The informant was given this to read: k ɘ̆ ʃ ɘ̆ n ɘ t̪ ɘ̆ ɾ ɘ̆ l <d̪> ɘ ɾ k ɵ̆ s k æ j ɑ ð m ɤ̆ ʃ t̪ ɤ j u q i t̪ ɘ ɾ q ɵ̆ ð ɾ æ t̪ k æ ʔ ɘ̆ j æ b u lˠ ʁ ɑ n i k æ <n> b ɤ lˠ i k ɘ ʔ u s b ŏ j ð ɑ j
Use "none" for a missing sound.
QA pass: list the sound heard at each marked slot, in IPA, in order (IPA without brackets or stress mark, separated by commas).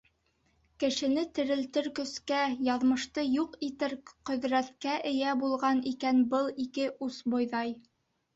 t̪, n